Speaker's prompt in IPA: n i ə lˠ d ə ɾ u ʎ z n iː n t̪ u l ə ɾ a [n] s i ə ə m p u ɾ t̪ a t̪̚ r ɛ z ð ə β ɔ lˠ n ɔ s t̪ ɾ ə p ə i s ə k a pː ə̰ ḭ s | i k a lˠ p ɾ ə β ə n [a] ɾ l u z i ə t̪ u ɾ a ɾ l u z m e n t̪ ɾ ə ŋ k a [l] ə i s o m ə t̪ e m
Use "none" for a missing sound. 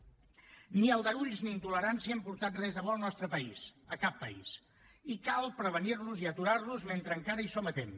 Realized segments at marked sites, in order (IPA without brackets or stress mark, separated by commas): n, i, ɾ